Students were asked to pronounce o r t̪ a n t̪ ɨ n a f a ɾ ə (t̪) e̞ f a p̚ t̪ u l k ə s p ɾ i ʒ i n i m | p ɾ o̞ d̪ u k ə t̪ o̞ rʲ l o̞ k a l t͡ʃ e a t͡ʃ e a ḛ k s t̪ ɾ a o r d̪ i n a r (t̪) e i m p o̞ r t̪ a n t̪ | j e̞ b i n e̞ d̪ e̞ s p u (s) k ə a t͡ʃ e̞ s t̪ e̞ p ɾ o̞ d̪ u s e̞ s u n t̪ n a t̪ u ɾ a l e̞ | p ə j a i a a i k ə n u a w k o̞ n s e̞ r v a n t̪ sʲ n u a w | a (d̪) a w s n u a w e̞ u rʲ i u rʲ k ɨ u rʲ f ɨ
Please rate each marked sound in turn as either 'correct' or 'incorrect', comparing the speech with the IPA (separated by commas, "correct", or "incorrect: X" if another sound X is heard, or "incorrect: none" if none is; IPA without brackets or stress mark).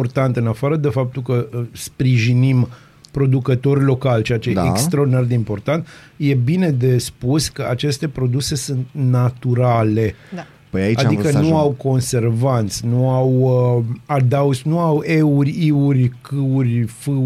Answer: incorrect: d̪, incorrect: d̪, correct, correct